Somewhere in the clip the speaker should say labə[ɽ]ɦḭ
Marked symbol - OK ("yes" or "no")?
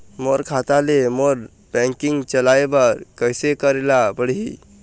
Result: yes